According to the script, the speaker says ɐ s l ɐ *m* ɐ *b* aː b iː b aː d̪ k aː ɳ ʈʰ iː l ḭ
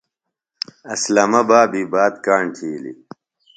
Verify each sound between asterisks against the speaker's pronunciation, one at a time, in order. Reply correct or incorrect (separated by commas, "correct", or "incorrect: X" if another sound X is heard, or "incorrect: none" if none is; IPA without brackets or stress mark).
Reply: correct, correct